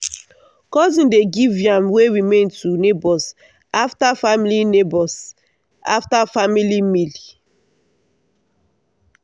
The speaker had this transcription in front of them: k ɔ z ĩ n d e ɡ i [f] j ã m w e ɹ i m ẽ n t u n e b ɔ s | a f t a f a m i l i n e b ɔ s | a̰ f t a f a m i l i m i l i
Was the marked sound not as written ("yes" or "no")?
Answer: yes